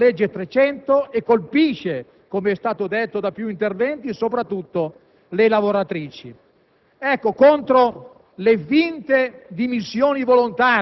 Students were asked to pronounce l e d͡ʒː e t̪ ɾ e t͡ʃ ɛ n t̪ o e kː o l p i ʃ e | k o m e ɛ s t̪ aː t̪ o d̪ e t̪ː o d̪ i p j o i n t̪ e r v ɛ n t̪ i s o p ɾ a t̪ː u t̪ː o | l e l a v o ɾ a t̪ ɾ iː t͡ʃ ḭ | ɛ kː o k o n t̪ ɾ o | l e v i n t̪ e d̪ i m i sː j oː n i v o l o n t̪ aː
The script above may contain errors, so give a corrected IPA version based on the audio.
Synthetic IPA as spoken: l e d͡ʒː e t̪ ɾ e t͡ʃ ɛ n t̪ o e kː o l p i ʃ e | k o m e ɛ s t̪ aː t̪ o d̪ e t̪ː o d̪ a p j u i n t̪ e r v ɛ n t̪ i s o p ɾ a t̪ː u t̪ː o | l e l a v o ɾ a t̪ ɾ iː t͡ʃ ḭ | ɛ kː o k o n t̪ ɾ o | l e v i n t̪ e d̪ i m i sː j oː n i v o l o n t̪ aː